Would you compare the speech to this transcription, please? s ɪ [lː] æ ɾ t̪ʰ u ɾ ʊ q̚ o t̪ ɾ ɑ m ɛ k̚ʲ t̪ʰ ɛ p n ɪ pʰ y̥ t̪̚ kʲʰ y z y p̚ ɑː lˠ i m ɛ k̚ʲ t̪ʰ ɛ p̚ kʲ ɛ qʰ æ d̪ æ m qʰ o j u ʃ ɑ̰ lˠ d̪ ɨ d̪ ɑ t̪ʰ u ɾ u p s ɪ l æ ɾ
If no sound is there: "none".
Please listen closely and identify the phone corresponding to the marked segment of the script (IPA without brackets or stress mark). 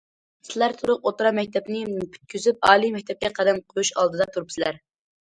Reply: l